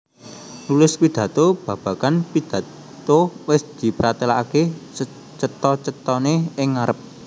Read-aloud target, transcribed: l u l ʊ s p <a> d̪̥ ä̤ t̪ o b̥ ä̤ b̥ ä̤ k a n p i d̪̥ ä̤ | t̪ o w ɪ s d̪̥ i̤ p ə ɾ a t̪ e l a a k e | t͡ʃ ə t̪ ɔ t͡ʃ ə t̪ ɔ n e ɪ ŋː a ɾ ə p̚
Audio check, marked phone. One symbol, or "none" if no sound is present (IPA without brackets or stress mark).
i